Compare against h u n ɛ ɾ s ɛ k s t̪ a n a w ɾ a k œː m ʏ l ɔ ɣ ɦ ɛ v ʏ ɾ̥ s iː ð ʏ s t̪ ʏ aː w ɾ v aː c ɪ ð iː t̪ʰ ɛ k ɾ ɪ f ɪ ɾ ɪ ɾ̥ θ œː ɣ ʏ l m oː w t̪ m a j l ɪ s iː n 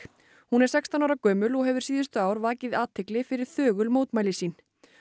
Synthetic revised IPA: h u n ɛ ɾ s ɛ k s t̪ a n a w ɾ a k œː m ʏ l ɔ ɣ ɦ ɛ v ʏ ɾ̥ s iː ð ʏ s t̪ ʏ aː w ɾ v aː c ɪ ð aː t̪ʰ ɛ k l ɪ f ɪ ɾ ɪ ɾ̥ θ œː ɣ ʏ l m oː w t̪ m a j l ɪ s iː n